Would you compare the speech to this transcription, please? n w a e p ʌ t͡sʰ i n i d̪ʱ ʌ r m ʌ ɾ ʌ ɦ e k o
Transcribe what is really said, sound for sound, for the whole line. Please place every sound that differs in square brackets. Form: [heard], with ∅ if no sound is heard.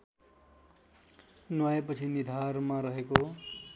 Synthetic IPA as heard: n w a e p ʌ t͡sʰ i n i d̪ʱ [a] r m [a] ɾ ʌ ɦ e k o